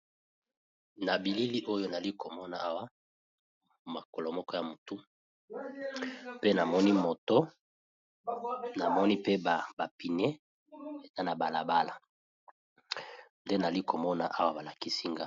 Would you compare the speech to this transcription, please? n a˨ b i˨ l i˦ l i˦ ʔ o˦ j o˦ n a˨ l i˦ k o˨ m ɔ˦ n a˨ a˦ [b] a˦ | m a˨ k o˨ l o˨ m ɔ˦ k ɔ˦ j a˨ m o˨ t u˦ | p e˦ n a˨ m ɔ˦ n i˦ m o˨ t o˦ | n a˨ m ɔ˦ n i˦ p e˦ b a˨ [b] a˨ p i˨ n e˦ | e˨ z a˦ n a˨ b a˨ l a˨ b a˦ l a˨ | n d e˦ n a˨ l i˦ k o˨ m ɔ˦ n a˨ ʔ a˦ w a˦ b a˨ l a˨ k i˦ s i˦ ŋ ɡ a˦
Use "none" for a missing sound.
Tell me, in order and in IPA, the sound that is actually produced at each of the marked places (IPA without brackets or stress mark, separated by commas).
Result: w, b